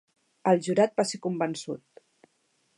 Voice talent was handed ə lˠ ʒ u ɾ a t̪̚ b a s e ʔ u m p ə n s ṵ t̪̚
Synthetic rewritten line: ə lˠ ʒ u ɾ a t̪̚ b a s e k u m b ə n s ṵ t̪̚